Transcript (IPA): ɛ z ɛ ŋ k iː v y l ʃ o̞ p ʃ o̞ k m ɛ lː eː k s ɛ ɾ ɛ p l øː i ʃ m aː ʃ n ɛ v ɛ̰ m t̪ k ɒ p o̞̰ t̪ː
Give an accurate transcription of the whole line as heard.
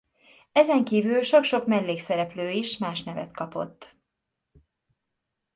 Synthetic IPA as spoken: ɛ z ɛ ŋ k iː v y l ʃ o̞ k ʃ o̞ k m ɛ lː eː k s ɛ ɾ ɛ p l øː i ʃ m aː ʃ n ɛ v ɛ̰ t̪ k ɒ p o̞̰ t̪ː